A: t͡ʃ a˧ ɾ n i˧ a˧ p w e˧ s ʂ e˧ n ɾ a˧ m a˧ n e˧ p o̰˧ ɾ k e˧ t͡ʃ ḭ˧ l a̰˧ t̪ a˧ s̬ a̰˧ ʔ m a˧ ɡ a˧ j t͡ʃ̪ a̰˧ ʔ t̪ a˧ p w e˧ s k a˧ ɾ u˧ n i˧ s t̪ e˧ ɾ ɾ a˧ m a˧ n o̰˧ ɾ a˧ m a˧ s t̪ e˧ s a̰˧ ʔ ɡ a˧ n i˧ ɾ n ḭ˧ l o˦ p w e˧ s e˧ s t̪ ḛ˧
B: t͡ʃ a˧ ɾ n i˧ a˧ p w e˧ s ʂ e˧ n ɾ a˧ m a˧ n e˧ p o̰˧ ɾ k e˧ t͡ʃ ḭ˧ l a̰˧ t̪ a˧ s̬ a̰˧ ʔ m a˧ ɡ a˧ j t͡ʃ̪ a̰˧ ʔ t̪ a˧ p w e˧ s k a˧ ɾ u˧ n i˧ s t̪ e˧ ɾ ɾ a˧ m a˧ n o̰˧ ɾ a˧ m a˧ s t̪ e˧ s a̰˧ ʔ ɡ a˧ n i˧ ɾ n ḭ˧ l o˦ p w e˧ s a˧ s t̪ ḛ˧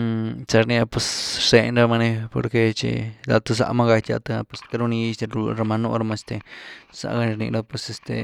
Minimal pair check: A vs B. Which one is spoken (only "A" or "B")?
A